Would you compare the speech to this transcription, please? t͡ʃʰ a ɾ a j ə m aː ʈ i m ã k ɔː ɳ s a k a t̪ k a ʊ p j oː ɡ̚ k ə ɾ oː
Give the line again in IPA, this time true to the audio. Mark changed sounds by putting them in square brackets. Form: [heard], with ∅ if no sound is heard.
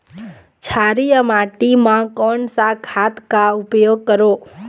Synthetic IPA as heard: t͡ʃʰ a ɾ [i] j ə m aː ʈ i m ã k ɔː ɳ s a [kʰ] a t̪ k a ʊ p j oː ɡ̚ k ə ɾ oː